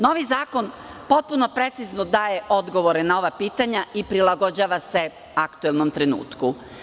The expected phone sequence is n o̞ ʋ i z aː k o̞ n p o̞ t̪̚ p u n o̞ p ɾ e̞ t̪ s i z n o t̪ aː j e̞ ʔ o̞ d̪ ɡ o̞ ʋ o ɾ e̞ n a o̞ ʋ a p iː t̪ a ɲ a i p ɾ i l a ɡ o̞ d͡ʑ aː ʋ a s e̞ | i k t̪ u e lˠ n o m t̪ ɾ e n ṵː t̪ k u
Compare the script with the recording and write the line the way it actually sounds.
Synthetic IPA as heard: n o̞ ʋ i z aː k o̞ n p o̞ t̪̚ p u n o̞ p ɾ e̞ t̪ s i z n o d̪ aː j e̞ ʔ o̞ d̪ ɡ o̞ ʋ o ɾ e̞ n a o̞ ʋ a p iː t̪ a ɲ a i p ɾ i l a ɡ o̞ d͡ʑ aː ʋ a s e̞ | a k t̪ u e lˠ n o m t̪ ɾ e n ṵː t̪ k u

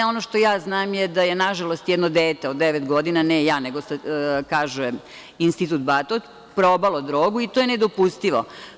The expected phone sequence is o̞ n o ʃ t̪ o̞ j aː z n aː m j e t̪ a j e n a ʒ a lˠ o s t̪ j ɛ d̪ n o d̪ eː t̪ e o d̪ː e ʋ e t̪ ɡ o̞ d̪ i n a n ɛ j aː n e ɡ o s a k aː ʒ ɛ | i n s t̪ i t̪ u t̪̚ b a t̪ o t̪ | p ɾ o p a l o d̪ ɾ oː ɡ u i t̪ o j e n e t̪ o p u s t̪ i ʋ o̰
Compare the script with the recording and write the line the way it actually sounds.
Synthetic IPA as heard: o̞ n o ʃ t̪ o̞ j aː z n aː m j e d̪ a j e n a ʒ a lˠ o s t̪ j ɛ d̪ n o d̪ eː t̪ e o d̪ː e ʋ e t̪ ɡ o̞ d̪ i n a n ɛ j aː n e ɡ o s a k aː ʒ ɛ | i n s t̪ i t̪ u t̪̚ b a t̪ o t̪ | p ɾ o b a l o d̪ ɾ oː ɡ u i t̪ o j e n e d̪ o p u s t̪ i ʋ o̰

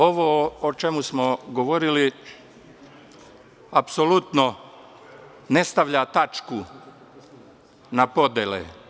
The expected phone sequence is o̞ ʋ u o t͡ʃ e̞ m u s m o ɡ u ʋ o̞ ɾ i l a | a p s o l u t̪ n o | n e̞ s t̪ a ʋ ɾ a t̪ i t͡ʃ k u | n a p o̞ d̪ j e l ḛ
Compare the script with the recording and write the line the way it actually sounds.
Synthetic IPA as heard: o̞ ʋ o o t͡ʃ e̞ m u s m o ɡ o ʋ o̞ ɾ i l i | a p s o l u t̪ n o | n e̞ s t̪ a ʋ ʎ a t̪ a t͡ʃ k u | n a p o̞ d̪ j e l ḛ

